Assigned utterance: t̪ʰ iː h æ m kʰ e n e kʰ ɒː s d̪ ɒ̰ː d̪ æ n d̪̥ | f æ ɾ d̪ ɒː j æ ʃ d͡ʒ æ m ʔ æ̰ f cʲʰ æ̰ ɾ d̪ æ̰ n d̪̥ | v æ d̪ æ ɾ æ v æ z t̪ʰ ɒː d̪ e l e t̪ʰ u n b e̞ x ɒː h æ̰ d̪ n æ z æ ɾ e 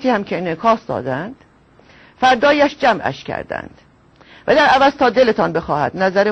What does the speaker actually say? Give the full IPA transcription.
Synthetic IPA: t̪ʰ iː h æ m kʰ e n e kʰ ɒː s d̪ ɒ̰ː d̪ æ n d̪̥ | f æ ɾ d̪ ɒː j æ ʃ d͡ʒ æ m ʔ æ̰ ʃ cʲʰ æ̰ ɾ d̪ æ̰ n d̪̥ | v æ d̪ æ ɾ æ v æ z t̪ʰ ɒː d̪ e l e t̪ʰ ɒ n b e̞ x ɒː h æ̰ d̪ n æ z æ ɾ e